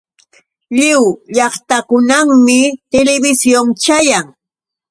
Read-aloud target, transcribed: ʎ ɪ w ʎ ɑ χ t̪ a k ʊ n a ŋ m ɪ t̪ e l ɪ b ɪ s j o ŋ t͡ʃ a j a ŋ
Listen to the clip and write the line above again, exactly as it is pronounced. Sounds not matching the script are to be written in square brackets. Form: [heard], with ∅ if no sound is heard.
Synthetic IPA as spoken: ʎ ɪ w ʎ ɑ χ t̪ a k ʊ n a ŋ m ɪ t̪ e l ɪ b ɪ s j o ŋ t͡ʃ a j a ŋ